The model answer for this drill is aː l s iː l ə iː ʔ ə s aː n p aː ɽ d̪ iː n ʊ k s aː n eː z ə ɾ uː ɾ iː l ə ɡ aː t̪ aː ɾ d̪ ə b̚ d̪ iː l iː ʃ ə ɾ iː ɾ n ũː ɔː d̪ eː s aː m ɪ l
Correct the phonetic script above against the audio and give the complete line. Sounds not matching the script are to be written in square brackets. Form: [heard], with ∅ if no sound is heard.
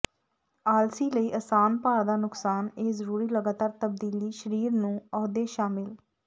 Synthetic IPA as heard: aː l s iː l ə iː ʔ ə s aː n p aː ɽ d̪ [aː] n ʊ k s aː n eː z ə ɾ uː ɾ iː l ə ɡ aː t̪ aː ɾ [t̪] ə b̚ d̪ iː l iː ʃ ə ɾ iː ɾ n ũː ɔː d̪ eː [ʃ] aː m ɪ l